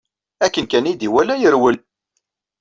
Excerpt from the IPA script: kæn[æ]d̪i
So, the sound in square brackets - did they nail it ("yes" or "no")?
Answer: no